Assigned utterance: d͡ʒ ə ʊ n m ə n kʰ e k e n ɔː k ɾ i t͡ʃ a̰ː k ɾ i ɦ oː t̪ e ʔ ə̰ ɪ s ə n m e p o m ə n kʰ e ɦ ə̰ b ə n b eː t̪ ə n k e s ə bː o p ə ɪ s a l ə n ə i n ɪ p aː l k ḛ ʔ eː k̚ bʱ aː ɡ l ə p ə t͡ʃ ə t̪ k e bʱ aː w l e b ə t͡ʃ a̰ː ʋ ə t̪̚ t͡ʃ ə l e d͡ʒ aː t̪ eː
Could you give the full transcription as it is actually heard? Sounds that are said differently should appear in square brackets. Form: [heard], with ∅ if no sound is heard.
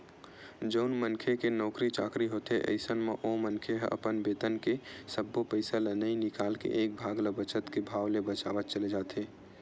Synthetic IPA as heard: d͡ʒ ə ʊ n m ə n kʰ e k e n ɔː k ɾ i t͡ʃ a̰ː k ɾ i ɦ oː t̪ e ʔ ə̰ ɪ s ə n m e [ʔ] o m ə n kʰ e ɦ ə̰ [p] ə n b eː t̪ ə n k e s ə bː o p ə ɪ s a l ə n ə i n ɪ [k] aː l k ḛ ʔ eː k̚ bʱ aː ɡ l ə [b] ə t͡ʃ ə t̪ k e bʱ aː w l e b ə t͡ʃ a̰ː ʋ ə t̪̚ t͡ʃ ə l e d͡ʒ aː t̪ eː